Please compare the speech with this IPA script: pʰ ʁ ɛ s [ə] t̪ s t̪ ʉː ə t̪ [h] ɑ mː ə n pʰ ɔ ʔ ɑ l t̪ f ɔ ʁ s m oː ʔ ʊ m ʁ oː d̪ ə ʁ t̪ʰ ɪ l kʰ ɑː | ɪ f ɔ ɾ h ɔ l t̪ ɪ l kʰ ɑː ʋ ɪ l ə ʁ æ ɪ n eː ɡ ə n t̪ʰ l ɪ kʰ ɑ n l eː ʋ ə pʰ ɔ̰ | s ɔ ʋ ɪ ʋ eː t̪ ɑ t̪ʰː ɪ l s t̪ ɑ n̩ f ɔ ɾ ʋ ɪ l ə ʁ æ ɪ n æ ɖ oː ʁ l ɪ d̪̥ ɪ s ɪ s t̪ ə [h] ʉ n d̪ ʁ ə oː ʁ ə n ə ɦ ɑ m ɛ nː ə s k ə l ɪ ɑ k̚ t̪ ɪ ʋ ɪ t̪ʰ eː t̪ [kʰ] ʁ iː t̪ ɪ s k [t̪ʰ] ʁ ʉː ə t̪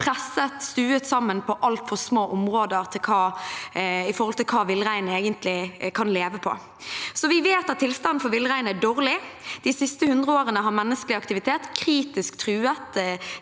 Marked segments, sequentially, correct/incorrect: correct, incorrect: s, correct, correct, correct

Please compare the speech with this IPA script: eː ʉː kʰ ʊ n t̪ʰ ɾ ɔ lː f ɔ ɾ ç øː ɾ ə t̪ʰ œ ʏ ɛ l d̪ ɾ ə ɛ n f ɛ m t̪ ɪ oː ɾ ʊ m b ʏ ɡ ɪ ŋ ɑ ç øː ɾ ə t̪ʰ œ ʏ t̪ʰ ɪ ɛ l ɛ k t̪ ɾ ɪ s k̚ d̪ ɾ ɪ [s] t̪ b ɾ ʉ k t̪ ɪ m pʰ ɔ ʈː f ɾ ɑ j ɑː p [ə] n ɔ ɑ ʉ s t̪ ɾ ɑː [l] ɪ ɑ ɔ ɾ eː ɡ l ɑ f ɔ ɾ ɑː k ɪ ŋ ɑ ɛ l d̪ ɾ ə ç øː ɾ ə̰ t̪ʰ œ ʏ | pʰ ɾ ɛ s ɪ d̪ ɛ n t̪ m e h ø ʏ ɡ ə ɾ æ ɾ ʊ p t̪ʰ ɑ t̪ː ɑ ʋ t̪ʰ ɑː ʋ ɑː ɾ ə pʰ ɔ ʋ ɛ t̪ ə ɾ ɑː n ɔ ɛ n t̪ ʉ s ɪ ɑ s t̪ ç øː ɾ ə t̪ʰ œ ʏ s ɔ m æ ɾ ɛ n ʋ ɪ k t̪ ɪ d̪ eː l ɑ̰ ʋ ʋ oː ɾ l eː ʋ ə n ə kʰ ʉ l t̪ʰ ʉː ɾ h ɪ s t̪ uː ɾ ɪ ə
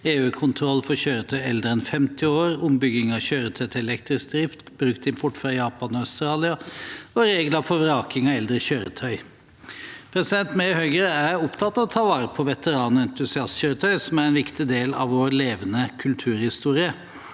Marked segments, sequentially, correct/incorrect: incorrect: f, incorrect: ɑ, correct

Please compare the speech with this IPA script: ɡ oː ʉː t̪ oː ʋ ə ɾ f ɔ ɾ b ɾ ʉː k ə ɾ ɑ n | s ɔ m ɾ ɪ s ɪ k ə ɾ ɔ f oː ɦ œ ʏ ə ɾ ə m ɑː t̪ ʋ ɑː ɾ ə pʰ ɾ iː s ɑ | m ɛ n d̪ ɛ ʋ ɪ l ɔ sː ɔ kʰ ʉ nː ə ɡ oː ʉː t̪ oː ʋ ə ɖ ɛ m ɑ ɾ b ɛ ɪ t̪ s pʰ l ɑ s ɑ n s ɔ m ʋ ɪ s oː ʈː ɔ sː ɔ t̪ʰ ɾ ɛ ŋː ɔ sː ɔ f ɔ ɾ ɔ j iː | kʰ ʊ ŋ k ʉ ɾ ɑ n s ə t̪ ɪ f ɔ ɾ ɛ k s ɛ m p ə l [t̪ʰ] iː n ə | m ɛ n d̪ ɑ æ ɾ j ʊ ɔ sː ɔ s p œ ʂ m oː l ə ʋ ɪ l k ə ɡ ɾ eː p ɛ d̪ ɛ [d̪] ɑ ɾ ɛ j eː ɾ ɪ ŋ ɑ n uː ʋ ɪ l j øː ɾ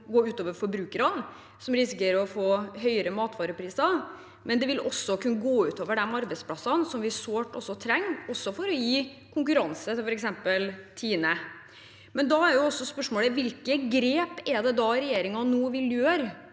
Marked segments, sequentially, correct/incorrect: correct, correct

